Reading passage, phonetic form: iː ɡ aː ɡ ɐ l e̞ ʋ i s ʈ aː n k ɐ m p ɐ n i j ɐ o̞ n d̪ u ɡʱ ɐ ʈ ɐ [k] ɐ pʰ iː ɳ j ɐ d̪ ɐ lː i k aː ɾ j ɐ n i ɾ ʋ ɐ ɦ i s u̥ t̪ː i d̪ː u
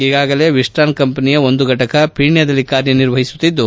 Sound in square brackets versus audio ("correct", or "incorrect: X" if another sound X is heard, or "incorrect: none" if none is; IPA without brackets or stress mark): correct